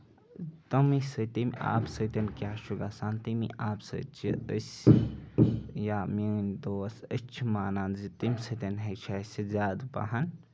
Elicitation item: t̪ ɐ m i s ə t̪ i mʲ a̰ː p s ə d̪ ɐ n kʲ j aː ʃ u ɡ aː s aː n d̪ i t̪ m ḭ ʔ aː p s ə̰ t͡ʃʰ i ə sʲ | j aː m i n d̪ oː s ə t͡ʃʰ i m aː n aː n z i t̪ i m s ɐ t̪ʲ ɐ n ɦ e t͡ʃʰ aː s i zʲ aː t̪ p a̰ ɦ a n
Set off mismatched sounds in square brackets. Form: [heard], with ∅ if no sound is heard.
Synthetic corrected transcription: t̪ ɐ m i s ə t̪ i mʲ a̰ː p s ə [t̪] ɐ n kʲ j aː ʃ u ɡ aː s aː n [t̪] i [∅] m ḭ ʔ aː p s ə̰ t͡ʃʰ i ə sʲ | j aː m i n d̪ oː s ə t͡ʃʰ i m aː n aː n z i t̪ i m s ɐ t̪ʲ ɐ n ɦ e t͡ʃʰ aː s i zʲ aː [d̪] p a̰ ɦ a n